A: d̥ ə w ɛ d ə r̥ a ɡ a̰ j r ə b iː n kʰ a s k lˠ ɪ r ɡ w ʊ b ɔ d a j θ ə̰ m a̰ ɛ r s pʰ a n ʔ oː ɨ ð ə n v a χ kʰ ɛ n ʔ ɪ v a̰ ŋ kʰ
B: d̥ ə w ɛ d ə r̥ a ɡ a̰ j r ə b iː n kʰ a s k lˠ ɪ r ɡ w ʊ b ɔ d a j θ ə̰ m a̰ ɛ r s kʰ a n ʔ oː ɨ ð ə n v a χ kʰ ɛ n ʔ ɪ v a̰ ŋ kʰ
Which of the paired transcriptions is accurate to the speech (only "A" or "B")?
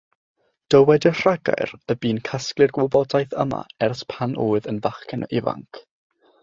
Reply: A